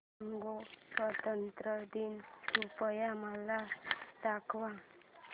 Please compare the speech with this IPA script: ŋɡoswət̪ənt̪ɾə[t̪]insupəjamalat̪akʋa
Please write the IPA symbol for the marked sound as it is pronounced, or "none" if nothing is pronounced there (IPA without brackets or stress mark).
d̪